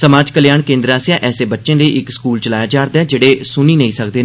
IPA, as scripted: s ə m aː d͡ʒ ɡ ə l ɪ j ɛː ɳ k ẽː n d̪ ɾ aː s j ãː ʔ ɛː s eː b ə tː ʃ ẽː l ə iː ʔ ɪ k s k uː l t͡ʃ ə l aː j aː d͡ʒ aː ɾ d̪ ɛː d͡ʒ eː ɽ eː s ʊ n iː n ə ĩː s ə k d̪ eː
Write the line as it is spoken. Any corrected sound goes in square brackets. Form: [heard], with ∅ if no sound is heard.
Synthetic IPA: s ə m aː d͡ʒ [k] ə l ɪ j [aː] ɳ k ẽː n d̪ ɾ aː s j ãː ʔ ɛː s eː b ə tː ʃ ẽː l ə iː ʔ ɪ k s k uː l t͡ʃ ə l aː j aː d͡ʒ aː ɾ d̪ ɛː d͡ʒ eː ɽ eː s ʊ n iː n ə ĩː s ə k d̪ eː